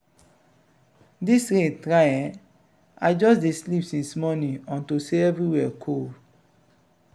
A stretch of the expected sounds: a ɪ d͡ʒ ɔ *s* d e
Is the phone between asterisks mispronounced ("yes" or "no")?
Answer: no